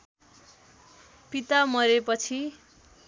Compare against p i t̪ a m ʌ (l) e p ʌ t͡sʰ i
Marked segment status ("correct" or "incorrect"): incorrect